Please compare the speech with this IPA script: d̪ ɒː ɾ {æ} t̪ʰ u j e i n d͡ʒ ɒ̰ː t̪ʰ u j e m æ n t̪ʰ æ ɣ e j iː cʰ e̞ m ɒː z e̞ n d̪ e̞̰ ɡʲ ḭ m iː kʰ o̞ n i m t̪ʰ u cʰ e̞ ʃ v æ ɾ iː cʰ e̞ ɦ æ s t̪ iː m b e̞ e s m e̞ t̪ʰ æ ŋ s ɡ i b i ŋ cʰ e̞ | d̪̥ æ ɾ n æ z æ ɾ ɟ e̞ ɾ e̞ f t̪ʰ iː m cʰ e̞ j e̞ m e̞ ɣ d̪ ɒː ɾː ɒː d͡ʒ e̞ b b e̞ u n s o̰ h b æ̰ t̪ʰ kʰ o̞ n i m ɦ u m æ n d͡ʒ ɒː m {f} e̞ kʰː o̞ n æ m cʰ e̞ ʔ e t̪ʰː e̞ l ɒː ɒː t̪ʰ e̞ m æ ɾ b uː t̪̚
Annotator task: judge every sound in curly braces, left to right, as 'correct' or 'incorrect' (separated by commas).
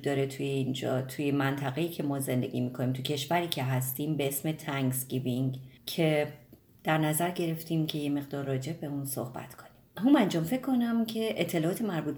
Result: incorrect, correct